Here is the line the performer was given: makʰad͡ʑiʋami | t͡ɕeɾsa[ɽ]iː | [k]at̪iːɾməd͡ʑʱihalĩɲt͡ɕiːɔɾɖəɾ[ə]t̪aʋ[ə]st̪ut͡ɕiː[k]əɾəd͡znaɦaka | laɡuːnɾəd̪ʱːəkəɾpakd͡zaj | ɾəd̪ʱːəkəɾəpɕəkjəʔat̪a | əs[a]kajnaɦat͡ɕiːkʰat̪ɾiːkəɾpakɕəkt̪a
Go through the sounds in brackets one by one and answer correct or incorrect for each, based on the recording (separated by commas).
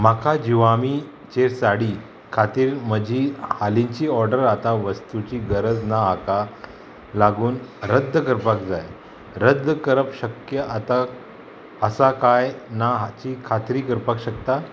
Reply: correct, incorrect, incorrect, correct, incorrect, correct